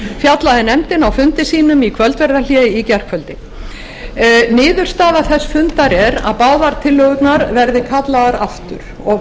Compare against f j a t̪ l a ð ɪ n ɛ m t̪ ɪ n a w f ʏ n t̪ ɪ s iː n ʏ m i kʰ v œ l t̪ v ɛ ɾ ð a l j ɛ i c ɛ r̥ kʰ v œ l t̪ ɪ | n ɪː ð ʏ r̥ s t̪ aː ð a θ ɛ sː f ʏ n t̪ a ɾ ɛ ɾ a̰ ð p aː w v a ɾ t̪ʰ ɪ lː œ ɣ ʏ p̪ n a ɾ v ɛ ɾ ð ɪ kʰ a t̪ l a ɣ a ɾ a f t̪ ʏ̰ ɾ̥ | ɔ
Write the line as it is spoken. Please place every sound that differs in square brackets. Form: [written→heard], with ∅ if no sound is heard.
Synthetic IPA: f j a t̪ l a ð ɪ n ɛ m t̪ ɪ n a w f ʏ n t̪ ɪ s iː n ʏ m i kʰ v œ l t̪ v ɛ ɾ ð a l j ɛ i c ɛ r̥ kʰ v œ l t̪ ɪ | n ɪː ð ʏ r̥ s t̪ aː ð a θ ɛ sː f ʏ n t̪ a ɾ ɛ ɾ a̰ ð p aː w [v→ð] a ɾ t̪ʰ ɪ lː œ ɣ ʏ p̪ n a ɾ v ɛ ɾ ð ɪ kʰ a t̪ l a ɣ a ɾ a f t̪ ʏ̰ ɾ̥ | ɔ